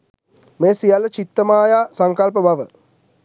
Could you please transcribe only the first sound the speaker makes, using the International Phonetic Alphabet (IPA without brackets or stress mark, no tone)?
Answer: m